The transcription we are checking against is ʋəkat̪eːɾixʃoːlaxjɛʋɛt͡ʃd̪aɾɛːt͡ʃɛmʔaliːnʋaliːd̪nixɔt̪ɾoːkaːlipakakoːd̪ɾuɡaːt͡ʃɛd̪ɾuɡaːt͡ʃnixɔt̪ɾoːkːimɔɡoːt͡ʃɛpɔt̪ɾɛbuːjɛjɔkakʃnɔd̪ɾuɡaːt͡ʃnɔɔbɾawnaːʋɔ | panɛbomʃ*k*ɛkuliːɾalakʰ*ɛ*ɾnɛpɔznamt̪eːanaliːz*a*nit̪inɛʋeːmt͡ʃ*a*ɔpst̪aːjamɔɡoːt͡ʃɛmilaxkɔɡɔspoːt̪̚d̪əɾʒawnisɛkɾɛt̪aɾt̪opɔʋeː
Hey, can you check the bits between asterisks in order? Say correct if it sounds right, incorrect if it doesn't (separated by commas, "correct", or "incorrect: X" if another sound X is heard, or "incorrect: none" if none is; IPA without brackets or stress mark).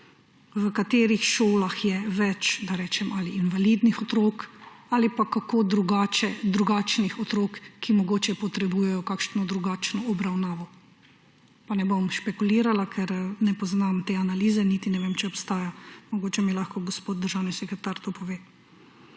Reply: incorrect: p, correct, incorrect: ɛ, incorrect: ɛ